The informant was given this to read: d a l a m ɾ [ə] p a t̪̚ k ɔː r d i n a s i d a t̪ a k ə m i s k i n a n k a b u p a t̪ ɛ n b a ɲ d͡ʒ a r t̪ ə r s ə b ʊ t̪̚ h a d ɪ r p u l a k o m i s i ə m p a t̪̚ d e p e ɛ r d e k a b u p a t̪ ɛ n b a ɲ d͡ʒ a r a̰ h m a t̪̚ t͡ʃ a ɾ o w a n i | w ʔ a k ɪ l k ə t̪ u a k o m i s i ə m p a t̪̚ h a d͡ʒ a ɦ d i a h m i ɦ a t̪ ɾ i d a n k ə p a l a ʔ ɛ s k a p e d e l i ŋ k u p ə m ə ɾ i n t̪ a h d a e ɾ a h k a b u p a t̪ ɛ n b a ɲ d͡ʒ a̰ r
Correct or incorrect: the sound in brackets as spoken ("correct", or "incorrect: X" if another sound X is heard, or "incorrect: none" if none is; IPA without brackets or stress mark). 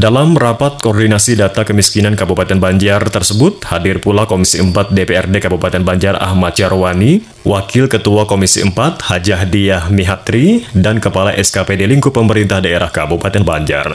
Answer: incorrect: a